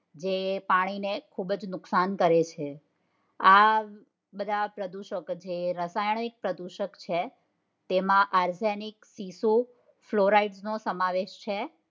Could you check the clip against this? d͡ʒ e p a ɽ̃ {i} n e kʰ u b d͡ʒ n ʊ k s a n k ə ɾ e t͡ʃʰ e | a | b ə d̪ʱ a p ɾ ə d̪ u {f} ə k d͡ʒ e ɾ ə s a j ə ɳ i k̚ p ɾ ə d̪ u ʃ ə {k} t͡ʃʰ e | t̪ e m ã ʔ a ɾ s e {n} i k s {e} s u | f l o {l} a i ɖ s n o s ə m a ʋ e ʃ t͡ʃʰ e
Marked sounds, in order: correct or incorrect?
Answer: correct, incorrect, correct, correct, incorrect, incorrect

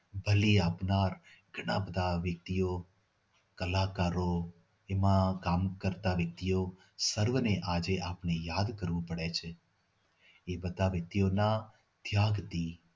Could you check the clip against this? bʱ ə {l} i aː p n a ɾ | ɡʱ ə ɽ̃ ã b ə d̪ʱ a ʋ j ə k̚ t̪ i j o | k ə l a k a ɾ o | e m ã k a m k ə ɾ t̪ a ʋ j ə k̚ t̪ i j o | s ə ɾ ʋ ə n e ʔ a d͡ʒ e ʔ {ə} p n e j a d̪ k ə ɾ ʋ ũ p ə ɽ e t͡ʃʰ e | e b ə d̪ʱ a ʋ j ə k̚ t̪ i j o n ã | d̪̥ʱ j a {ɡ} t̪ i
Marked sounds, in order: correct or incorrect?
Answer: correct, incorrect, correct

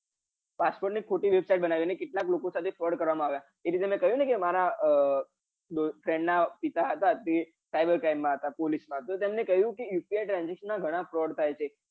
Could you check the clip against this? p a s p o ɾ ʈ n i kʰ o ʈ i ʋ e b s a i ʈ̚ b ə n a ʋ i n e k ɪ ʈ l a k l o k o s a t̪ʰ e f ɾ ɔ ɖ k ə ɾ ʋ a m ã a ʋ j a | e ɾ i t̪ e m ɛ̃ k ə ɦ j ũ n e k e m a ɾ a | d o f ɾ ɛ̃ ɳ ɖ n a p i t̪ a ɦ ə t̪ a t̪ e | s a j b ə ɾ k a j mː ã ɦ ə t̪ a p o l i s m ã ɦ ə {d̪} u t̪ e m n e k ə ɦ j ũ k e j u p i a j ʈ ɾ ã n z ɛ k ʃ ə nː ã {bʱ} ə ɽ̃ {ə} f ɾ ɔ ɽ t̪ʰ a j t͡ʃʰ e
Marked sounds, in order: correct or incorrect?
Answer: incorrect, incorrect, incorrect

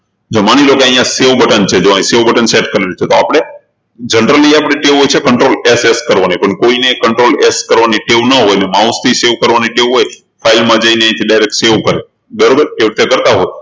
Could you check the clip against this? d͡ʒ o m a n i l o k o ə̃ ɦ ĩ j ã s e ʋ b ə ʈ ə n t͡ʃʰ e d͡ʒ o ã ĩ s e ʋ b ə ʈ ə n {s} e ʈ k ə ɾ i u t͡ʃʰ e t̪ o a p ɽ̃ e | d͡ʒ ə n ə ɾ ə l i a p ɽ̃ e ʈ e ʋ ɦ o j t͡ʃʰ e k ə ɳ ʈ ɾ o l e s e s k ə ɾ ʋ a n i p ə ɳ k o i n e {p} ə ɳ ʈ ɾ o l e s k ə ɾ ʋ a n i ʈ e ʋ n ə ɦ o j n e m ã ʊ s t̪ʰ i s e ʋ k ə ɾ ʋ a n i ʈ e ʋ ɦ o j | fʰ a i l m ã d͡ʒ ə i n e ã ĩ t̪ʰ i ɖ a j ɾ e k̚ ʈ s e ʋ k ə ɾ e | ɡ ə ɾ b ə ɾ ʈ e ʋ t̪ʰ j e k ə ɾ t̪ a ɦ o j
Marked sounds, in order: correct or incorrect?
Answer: correct, incorrect

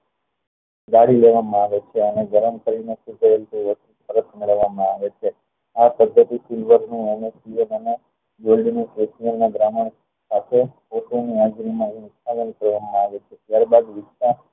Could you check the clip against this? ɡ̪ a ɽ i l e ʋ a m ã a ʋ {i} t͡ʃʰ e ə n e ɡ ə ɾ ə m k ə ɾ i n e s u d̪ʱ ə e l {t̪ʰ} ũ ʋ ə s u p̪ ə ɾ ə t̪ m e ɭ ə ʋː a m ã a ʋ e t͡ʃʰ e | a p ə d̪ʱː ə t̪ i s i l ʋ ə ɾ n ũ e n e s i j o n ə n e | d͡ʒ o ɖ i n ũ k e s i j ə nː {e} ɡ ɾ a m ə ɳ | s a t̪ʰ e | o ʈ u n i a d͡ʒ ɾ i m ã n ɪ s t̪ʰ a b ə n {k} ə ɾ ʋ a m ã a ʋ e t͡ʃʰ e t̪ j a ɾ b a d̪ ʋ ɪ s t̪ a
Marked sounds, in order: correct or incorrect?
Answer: incorrect, incorrect, incorrect, correct

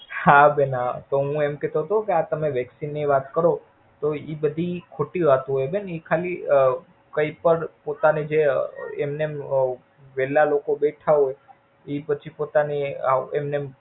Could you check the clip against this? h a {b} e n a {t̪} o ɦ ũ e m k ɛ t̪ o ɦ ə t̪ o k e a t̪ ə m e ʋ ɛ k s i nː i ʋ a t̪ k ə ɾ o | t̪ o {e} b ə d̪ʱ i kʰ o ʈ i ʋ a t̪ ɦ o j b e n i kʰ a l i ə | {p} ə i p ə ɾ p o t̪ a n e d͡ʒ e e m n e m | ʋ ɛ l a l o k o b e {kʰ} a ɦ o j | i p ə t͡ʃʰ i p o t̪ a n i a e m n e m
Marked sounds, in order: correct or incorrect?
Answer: correct, correct, incorrect, incorrect, incorrect

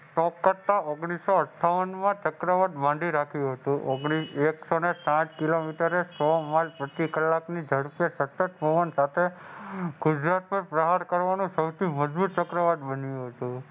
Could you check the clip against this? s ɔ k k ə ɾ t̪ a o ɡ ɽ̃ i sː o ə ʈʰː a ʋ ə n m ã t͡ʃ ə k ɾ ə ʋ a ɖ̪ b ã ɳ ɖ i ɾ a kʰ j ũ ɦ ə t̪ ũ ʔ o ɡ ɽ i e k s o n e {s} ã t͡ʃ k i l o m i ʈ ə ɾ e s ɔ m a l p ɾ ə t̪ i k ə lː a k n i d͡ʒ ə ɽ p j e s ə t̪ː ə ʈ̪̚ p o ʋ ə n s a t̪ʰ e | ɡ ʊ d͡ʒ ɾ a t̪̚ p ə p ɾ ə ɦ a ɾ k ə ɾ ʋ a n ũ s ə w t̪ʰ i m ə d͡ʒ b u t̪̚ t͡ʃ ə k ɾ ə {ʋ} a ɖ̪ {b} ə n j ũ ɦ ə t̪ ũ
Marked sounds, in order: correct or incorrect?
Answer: correct, correct, correct

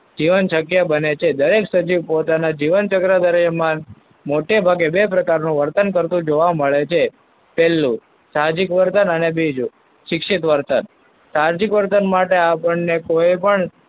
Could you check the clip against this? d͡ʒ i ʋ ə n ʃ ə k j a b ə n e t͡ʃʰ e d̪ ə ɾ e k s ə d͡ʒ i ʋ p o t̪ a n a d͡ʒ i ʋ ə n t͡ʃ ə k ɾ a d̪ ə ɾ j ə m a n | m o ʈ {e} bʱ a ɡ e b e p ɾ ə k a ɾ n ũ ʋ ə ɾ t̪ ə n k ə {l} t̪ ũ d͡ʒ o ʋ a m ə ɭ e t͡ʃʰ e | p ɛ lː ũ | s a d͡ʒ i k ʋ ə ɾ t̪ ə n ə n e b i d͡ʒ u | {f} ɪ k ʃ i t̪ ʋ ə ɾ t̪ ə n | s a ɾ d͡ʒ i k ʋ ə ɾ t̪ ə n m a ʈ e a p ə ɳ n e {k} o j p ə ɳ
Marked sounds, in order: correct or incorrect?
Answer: correct, incorrect, incorrect, correct

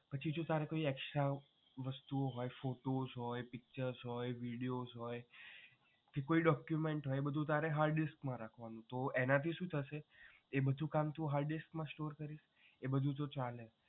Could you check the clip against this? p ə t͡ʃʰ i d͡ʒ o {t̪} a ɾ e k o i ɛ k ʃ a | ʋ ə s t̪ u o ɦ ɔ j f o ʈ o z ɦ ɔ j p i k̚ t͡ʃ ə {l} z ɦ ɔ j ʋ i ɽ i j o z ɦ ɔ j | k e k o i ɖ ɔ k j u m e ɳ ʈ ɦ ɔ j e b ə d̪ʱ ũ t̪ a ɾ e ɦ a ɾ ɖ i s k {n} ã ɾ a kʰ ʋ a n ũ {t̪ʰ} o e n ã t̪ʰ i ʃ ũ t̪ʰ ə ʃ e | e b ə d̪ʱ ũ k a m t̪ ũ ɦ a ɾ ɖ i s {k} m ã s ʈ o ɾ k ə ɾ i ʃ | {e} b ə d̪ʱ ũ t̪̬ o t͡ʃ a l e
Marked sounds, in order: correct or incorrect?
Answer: correct, incorrect, incorrect, incorrect, correct, correct

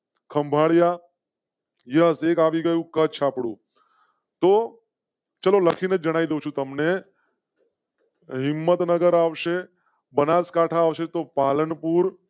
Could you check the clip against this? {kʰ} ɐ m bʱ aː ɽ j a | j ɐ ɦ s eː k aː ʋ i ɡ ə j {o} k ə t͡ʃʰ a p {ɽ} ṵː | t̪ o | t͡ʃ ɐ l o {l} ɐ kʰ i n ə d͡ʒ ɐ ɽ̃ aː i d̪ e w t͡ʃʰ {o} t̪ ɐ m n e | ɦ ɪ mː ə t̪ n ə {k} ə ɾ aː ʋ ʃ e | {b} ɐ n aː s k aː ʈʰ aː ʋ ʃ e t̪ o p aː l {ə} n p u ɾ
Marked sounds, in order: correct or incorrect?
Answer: correct, incorrect, correct, correct, incorrect, incorrect, correct, correct

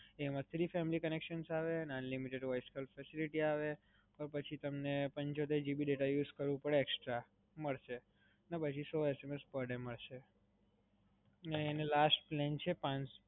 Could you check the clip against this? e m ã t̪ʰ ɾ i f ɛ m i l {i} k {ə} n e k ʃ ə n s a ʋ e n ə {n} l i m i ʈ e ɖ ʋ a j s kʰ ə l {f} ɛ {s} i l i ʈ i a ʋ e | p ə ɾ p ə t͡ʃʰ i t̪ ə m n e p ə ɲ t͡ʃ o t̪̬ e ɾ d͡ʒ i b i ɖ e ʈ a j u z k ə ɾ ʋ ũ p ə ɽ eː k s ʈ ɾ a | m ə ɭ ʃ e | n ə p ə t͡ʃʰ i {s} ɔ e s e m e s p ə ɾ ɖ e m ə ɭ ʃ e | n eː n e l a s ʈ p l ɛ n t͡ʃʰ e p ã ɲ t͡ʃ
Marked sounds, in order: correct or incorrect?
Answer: correct, correct, correct, correct, correct, correct

